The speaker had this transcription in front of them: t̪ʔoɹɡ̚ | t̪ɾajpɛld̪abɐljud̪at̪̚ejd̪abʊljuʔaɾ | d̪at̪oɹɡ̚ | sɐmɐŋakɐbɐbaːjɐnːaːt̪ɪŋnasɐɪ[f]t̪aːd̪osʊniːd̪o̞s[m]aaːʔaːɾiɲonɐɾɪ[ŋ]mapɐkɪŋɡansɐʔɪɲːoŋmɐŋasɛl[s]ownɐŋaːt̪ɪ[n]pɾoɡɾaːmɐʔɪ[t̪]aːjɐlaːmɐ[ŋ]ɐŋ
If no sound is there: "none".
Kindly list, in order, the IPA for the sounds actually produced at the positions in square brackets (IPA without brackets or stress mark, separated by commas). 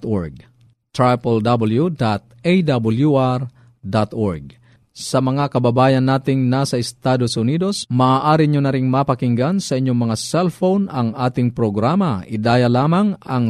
s, m, ŋ, f, ŋ, d̪, ŋ